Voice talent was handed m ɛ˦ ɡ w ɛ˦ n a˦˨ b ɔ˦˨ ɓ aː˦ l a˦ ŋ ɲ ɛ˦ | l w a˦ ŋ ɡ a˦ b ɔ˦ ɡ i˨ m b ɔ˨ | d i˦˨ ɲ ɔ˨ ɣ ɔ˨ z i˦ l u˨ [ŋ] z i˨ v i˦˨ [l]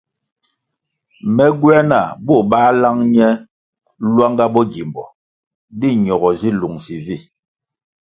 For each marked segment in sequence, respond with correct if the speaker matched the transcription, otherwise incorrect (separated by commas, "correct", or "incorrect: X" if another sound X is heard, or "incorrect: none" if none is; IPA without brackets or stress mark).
correct, incorrect: none